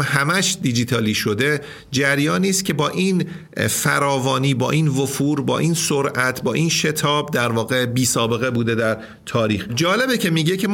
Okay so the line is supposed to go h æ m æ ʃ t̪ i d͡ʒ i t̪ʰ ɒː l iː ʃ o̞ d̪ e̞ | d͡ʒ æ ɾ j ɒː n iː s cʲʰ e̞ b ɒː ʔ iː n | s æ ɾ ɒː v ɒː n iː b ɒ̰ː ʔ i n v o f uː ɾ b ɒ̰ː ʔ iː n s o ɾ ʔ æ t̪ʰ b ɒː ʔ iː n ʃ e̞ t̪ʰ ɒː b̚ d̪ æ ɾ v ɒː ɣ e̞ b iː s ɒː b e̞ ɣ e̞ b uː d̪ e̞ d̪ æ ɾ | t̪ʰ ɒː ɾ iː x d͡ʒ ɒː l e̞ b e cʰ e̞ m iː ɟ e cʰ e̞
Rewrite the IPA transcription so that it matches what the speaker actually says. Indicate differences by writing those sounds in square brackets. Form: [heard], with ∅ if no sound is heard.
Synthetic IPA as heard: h æ m æ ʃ [d̪] i d͡ʒ i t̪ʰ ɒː l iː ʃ o̞ d̪ e̞ | d͡ʒ æ ɾ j ɒː n iː s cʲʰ e̞ b ɒː ʔ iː n | [f] æ ɾ ɒː v ɒː n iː b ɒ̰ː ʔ i n v o f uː ɾ b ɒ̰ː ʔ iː n s o ɾ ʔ æ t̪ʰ b ɒː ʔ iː n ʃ e̞ t̪ʰ ɒː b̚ d̪ æ ɾ v ɒː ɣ e̞ b iː s ɒː b e̞ ɣ e̞ b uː d̪ e̞ d̪ æ ɾ | t̪ʰ ɒː ɾ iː x d͡ʒ ɒː l e̞ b e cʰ e̞ m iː ɟ e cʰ e̞